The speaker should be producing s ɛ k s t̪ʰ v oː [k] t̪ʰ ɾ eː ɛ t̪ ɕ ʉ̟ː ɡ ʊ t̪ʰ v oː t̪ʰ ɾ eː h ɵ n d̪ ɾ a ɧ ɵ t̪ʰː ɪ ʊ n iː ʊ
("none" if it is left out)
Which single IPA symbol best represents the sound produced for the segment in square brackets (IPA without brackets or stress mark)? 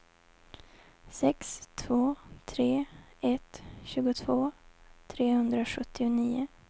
none